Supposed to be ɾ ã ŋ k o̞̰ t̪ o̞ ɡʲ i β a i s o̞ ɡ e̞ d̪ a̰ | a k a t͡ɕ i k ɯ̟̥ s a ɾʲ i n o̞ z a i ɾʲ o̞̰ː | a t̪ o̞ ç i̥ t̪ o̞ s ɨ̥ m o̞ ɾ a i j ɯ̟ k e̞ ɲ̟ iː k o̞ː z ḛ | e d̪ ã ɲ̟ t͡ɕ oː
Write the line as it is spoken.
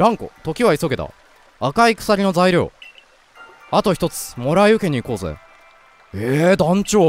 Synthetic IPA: ɾ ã ŋ k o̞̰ t̪ o̞ kʲ i β a i s o̞ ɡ e̞ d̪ a̰ | a k a i k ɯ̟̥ s a ɾʲ i n o̞ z a i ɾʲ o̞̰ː | a t̪ o̞ ç i̥ t̪ o̞ t͡s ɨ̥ m o̞ ɾ a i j ɯ̟ k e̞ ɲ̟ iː k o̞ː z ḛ | e d̪ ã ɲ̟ t͡ɕ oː